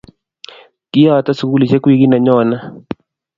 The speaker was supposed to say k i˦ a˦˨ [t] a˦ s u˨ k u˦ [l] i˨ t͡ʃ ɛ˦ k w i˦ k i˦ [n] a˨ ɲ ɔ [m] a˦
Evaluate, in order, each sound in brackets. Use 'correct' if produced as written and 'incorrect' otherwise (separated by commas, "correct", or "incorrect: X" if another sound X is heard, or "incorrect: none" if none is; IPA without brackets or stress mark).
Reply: correct, correct, correct, incorrect: n